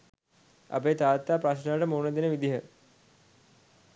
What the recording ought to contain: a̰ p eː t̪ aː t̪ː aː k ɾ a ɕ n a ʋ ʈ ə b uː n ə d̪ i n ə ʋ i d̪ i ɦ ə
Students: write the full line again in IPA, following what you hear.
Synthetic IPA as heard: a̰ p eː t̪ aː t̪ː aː p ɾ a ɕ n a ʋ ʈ ə m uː n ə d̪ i n ə ʋ i d̪ i ɦ ə